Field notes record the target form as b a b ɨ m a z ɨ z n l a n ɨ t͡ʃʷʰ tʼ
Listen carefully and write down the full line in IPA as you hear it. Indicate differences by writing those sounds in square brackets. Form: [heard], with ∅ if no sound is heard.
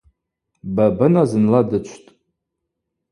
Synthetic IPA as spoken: b a b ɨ [n] a z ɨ [∅] n l a [d] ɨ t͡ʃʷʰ tʼ